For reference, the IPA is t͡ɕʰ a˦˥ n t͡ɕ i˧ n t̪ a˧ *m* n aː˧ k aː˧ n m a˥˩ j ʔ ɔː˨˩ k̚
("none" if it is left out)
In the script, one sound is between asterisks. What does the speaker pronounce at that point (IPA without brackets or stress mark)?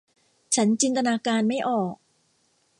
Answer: none